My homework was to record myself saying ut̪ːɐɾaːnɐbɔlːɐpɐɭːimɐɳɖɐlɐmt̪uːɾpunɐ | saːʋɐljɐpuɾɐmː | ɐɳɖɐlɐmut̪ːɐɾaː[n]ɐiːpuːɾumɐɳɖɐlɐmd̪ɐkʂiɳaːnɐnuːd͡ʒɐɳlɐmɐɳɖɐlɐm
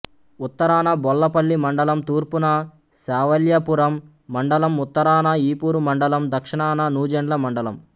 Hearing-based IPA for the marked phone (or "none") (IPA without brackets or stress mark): n